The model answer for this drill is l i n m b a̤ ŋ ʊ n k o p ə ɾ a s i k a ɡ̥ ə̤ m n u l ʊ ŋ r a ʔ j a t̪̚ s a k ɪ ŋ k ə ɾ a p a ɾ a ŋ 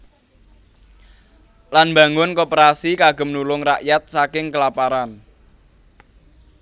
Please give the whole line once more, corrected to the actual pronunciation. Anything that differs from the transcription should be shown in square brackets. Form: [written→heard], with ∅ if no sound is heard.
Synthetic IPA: l [i→a] n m b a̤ ŋ ʊ n k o p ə ɾ a s i k a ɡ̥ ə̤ m n u l ʊ ŋ r a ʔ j a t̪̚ s a k ɪ ŋ k ə [ɾ→l] a p a ɾ a [ŋ→n]